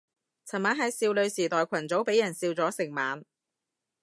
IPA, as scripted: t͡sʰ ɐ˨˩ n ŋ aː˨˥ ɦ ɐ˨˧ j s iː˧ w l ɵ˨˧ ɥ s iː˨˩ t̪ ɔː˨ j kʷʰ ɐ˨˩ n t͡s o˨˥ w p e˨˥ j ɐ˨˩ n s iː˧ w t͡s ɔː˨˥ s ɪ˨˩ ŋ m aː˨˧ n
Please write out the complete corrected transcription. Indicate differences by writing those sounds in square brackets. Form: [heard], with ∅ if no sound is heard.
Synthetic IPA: t͡sʰ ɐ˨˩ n [m] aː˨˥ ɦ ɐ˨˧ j s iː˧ w l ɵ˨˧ ɥ s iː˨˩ t̪ ɔː˨ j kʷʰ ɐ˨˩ n t͡s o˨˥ w p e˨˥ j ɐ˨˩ n s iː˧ w t͡s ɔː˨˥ s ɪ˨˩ ŋ m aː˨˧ n